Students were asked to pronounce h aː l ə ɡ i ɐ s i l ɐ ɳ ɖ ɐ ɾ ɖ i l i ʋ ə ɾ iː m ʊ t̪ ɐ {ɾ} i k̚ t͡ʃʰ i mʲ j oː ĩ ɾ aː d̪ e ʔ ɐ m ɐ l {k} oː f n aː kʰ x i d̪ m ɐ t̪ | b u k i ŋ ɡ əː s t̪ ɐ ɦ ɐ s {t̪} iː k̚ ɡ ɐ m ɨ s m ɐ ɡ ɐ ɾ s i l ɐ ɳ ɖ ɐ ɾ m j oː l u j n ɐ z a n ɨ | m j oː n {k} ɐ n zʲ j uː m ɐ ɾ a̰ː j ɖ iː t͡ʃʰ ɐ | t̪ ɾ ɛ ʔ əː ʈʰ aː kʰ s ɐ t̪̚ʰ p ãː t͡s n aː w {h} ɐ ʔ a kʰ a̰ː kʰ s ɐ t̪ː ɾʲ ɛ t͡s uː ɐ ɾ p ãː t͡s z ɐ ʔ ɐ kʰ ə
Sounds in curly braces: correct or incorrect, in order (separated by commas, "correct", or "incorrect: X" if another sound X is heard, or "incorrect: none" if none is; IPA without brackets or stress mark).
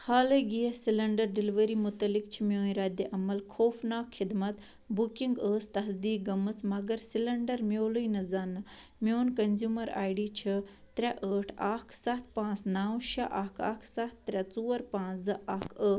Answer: incorrect: l, incorrect: kʰ, incorrect: d̪, correct, incorrect: ʃ